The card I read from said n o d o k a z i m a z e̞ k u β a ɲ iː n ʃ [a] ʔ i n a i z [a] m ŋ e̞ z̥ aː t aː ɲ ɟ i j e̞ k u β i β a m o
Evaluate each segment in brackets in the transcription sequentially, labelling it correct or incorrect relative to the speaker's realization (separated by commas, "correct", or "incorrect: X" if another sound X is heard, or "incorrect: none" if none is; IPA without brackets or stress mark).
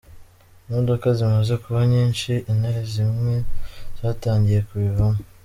incorrect: i, incorrect: i